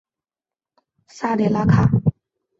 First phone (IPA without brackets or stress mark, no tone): s